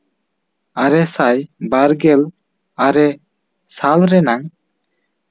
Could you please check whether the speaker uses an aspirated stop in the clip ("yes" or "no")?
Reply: no